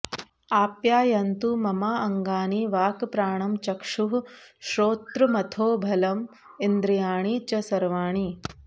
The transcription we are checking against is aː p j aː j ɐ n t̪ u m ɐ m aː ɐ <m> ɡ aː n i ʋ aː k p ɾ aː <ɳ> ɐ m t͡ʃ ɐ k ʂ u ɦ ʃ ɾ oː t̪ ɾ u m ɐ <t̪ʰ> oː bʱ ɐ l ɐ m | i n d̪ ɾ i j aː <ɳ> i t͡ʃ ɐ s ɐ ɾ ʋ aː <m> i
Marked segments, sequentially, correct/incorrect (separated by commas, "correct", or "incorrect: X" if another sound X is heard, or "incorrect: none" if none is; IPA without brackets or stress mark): incorrect: ŋ, correct, correct, correct, incorrect: ɳ